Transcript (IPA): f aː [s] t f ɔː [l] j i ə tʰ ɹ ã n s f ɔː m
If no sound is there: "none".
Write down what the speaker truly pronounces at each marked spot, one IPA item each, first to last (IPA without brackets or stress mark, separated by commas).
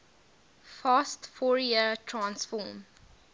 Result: s, ɹ